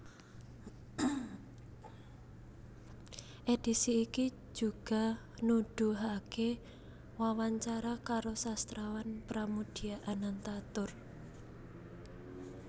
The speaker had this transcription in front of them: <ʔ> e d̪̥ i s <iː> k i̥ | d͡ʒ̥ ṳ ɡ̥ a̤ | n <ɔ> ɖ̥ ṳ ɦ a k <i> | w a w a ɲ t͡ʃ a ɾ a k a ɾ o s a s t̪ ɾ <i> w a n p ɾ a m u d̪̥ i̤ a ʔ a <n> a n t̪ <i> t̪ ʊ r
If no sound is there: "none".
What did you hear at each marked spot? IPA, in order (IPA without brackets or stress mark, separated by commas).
ʔ, iː, u, e, a, n, a